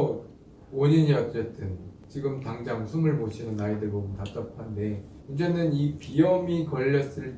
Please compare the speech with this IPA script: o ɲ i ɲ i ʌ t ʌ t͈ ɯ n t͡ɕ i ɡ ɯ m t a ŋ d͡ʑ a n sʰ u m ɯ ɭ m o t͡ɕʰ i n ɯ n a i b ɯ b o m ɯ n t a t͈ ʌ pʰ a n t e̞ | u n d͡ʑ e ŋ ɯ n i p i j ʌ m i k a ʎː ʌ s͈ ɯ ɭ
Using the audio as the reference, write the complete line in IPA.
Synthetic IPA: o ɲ i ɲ i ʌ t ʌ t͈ ɯ n t͡ɕ i ɡ ɯ m t a ŋ d͡ʑ a ŋ sʰ u m ɯ ɭ m o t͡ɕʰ i n ɯ n a i d ɯ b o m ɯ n t a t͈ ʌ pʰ a n d e̞ | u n d͡ʑ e n ɯ n i p i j ʌ m i k ʌ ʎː ʌ s͈ ɯ ɭ